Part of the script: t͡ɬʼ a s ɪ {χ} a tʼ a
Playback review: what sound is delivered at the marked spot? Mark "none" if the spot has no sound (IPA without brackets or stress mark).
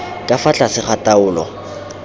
χ